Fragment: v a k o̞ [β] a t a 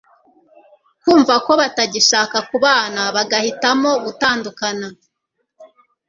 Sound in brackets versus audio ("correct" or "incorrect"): correct